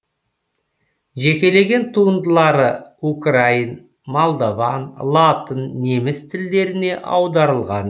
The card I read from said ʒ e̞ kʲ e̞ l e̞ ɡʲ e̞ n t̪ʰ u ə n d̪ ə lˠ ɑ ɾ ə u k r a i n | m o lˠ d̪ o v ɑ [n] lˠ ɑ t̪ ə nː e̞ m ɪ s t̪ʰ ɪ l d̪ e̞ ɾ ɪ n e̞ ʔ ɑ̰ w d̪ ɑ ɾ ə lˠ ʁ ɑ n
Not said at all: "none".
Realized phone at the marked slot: n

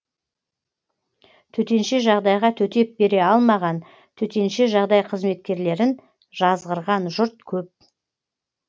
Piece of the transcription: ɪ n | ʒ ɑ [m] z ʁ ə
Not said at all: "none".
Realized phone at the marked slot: none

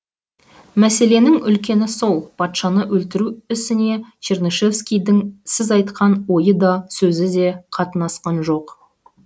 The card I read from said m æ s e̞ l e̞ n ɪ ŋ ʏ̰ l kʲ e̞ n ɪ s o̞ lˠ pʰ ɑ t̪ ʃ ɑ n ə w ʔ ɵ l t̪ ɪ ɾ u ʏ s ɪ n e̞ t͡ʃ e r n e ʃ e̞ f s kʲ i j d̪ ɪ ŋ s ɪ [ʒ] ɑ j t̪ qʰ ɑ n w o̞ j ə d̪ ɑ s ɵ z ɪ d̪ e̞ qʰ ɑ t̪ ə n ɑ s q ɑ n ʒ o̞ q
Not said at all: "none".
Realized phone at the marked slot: z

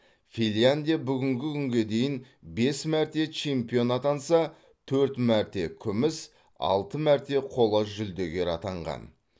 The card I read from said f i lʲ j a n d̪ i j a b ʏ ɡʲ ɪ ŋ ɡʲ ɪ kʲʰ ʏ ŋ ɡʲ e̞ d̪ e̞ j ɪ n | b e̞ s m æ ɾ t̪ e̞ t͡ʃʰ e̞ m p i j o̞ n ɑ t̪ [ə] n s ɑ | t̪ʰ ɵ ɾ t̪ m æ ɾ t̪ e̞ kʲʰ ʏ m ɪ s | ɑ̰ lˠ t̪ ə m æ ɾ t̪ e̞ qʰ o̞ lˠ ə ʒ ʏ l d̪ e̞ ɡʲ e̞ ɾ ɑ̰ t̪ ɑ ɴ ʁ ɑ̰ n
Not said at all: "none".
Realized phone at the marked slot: ɑ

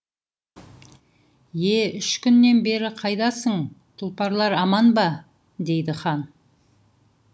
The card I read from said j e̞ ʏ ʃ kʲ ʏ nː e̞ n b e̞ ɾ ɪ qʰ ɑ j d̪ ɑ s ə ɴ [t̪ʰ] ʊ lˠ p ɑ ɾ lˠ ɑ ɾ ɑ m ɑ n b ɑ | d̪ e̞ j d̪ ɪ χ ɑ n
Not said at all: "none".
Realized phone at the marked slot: t̪ʰ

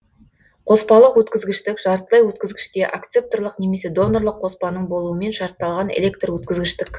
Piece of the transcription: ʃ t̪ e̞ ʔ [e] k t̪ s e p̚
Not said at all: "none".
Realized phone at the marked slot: a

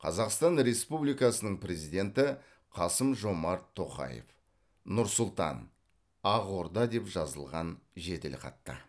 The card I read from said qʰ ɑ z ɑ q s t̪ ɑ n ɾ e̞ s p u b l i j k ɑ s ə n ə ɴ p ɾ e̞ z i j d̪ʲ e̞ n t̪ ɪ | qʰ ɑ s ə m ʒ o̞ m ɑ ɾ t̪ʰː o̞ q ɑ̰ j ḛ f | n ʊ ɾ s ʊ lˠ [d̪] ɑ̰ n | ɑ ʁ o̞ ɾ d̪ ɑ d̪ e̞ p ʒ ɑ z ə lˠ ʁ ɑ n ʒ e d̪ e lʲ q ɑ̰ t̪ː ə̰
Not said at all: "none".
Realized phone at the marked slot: t̪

